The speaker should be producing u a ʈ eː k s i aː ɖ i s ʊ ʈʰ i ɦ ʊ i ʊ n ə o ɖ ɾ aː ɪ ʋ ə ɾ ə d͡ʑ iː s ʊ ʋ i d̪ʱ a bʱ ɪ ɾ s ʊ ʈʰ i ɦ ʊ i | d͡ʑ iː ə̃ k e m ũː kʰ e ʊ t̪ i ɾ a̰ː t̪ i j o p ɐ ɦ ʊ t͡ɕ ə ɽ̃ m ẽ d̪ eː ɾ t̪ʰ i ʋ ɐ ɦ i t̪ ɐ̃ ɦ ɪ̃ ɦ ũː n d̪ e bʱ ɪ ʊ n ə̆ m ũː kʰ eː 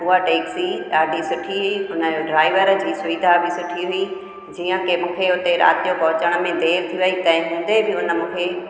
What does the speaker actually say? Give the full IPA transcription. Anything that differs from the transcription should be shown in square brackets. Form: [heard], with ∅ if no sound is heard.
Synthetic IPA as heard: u a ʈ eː k s i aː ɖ i s ʊ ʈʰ i ɦ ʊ i ʊ n ə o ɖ ɾ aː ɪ ʋ ə ɾ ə d͡ʑ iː s ʊ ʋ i d̪ʱ a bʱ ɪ [∅] s ʊ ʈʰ i ɦ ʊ i | d͡ʑ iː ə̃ k e m ũː kʰ e ʊ t̪ [e] ɾ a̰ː t̪ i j o p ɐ ɦ ʊ t͡ɕ ə ɽ̃ m ẽ d̪ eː ɾ t̪ʰ i ʋ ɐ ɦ i t̪ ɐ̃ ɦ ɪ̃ ɦ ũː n d̪ e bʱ ɪ ʊ n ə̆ m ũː kʰ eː